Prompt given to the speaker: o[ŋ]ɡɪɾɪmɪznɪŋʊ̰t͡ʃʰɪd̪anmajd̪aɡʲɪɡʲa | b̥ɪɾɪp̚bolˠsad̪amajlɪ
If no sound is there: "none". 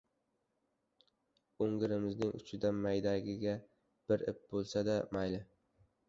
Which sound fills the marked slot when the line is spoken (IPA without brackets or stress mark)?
ŋ